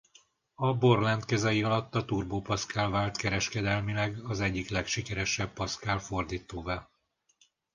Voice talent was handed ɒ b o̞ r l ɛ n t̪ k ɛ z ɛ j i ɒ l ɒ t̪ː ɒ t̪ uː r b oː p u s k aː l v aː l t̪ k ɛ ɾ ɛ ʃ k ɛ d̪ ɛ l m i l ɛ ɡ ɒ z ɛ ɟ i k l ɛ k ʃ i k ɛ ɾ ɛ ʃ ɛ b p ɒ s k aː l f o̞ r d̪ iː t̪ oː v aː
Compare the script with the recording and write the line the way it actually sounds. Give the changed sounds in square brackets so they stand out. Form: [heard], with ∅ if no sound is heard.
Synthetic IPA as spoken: ɒ b o̞ r l ɛ n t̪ k ɛ z ɛ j i ɒ l ɒ t̪ː ɒ t̪ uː r b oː p [ɒ] s k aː l v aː l t̪ k ɛ ɾ ɛ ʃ k ɛ d̪ ɛ l m i l ɛ ɡ ɒ z ɛ [ɟː] i k l ɛ k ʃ i k ɛ ɾ ɛ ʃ ɛ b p ɒ s k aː l f o̞ r d̪ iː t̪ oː v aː